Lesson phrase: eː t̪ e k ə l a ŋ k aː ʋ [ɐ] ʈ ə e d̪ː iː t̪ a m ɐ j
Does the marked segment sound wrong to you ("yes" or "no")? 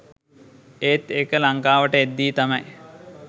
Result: yes